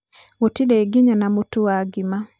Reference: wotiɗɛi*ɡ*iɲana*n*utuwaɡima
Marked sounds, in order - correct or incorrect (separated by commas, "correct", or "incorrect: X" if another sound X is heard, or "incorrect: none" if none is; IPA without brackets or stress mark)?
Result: correct, incorrect: m